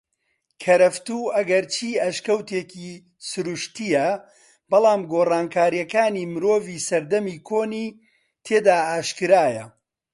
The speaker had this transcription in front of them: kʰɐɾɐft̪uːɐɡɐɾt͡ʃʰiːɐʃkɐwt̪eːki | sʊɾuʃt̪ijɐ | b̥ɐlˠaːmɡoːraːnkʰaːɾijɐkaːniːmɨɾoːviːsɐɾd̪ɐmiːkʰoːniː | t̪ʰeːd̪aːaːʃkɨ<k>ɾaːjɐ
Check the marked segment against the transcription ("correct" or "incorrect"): incorrect